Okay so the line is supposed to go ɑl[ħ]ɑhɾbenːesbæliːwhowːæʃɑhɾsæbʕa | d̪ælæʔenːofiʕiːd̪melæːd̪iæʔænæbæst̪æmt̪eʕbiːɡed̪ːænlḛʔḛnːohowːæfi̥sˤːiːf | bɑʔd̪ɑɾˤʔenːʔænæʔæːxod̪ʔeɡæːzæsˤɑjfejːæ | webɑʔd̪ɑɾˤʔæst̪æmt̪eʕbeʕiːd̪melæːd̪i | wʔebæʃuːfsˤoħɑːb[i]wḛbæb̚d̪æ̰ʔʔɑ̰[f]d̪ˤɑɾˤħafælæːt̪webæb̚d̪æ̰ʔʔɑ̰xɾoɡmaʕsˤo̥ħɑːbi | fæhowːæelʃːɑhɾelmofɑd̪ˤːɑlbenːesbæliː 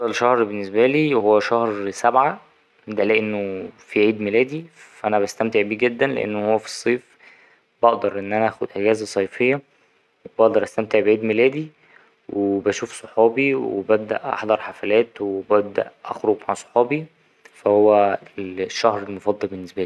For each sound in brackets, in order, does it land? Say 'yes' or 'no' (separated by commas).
no, yes, no